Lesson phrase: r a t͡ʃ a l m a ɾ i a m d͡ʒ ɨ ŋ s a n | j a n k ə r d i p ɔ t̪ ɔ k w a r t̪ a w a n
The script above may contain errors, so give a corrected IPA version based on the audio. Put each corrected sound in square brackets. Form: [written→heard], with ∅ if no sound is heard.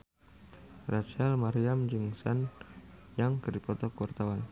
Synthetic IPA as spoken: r a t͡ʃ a l m a ɾ i a m d͡ʒ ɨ ŋ s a n | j a [n→ŋ] k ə r d i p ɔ t̪ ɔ k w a r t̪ a w a n